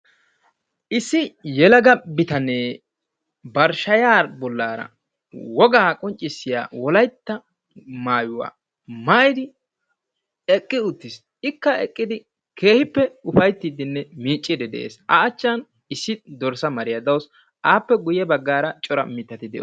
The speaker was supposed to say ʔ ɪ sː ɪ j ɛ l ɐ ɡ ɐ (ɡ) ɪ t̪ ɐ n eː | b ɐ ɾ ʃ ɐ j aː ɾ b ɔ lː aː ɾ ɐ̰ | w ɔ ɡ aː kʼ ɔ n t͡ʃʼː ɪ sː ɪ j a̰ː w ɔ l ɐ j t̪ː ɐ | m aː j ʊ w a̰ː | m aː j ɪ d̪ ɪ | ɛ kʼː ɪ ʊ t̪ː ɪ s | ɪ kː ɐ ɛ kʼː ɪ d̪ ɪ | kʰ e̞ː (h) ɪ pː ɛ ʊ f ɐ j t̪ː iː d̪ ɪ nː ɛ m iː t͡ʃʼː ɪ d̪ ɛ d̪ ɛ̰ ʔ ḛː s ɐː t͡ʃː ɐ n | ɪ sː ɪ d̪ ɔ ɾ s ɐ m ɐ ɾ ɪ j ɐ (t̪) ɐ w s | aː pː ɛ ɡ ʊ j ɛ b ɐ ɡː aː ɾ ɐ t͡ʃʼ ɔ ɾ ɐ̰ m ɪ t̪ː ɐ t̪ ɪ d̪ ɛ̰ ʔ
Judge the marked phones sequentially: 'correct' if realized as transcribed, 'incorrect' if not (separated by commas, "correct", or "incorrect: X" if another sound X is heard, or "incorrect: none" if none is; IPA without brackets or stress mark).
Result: incorrect: b, correct, incorrect: d̪